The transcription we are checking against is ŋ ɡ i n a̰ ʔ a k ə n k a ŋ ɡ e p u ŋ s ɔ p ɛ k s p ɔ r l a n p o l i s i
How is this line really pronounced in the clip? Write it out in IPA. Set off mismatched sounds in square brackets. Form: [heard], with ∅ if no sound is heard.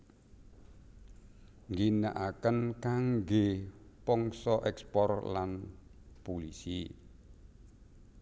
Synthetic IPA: ŋ ɡ i n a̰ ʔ a k ə n k a ŋ ɡ e p [ɔ] ŋ s ɔ [ʔ] ɛ k s p ɔ r l a n p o l i s i